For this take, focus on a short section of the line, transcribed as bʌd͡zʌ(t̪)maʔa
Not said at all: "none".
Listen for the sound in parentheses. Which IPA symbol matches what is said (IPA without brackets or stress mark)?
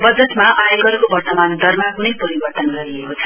t̪